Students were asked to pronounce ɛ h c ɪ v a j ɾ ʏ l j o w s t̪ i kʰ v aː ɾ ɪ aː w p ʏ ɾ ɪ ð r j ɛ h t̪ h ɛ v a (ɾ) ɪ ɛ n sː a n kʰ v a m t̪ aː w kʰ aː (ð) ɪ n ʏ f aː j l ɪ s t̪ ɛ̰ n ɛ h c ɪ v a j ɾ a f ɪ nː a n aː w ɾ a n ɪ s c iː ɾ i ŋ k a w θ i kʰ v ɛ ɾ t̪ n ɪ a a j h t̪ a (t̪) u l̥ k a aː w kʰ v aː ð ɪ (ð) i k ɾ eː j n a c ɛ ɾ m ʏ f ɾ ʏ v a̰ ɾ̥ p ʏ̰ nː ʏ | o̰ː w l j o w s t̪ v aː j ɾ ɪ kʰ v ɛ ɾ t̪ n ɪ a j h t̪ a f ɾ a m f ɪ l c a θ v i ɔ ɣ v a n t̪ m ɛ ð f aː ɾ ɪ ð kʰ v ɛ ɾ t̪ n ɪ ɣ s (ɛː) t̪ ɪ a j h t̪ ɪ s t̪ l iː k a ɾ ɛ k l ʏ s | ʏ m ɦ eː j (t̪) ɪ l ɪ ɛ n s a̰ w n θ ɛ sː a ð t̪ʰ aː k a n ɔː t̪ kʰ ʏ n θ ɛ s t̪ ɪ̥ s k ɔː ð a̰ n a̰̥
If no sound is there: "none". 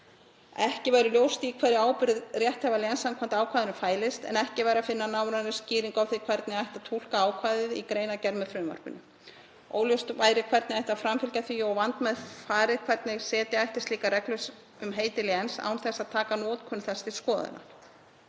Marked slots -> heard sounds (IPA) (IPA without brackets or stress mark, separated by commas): l, ð, t̪ʰ, ð, ɛː, t̪